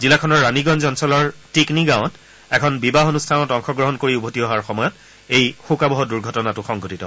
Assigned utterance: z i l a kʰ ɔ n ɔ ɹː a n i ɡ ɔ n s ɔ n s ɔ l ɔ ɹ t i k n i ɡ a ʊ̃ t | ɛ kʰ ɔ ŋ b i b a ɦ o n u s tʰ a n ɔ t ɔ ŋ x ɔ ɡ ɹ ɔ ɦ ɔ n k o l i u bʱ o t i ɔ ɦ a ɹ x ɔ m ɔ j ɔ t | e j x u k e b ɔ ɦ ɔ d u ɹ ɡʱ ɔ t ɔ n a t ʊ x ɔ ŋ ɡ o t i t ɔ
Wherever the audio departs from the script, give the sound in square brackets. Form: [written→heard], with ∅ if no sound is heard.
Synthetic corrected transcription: z i l a kʰ ɔ n ɔ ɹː a n i ɡ ɔ n [s→z] ɔ n s ɔ l ɔ ɹ t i k n i ɡ a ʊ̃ t | ɛ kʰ ɔ [ŋ→n] b i b a ɦ o n u s tʰ a n ɔ t ɔ ŋ x ɔ ɡ ɹ ɔ ɦ ɔ n k o [l→ɹ] i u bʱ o t i ɔ ɦ a ɹ x ɔ m ɔ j ɔ t | e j x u k [e→a] b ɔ ɦ ɔ d u ɹ ɡʱ ɔ t ɔ n a t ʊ x ɔ ŋ ɡ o t i t ɔ

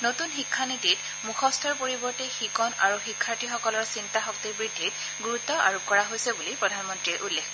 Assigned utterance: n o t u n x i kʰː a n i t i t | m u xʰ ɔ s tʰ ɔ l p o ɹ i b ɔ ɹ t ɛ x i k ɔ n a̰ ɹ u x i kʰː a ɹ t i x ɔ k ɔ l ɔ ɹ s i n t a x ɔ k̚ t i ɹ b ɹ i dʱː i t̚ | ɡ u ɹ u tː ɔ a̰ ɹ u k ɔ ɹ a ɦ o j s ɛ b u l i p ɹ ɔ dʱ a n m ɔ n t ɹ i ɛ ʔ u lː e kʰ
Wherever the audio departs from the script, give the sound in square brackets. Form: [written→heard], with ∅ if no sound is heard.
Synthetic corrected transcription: n o t u n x i kʰː a n i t i t | m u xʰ ɔ s tʰ ɔ [l→ɹ] p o ɹ i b ɔ ɹ t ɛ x i k ɔ n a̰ ɹ u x i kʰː a ɹ t i x ɔ k ɔ l ɔ ɹ s i n t a x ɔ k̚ t i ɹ b ɹ i dʱː i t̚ | ɡ u ɹ u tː ɔ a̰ ɹ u k ɔ ɹ a ɦ o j s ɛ b u l i p ɹ ɔ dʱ a n m ɔ n t ɹ i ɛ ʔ u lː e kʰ

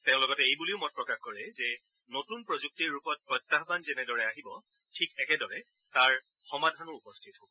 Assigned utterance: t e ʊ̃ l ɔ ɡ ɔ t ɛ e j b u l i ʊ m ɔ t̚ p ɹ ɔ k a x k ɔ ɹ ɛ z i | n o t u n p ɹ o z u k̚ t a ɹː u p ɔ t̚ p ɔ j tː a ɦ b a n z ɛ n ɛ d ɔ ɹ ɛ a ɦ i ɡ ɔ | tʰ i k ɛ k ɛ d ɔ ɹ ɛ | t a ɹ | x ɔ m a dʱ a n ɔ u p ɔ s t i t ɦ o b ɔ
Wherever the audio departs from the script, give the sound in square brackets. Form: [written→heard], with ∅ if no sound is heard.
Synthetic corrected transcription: t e ʊ̃ l ɔ ɡ ɔ t ɛ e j b u l i ʊ m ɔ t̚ p ɹ ɔ k a x k ɔ ɹ ɛ z [i→ɛ] | n o t u n p ɹ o z u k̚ t [a→i] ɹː u p ɔ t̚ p ɔ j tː a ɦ b a n z ɛ n ɛ d ɔ ɹ ɛ a ɦ i [ɡ→b] ɔ | tʰ i k ɛ k ɛ d ɔ ɹ ɛ | t a ɹ | x ɔ m a dʱ a n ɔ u p ɔ s [t→tʰ] i t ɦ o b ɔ

